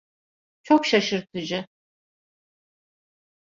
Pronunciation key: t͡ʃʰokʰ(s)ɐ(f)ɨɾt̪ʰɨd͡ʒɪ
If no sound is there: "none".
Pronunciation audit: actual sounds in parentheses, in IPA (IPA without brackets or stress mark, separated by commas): ʃ, ʃ